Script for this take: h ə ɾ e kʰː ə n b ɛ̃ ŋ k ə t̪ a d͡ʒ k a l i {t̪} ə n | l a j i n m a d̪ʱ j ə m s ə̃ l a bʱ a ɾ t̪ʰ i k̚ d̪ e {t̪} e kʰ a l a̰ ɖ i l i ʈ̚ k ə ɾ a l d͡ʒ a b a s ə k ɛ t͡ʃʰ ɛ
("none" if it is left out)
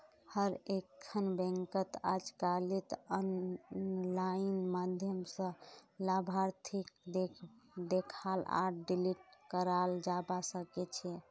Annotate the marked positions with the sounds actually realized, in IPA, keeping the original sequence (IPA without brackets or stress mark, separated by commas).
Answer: t̪, d̪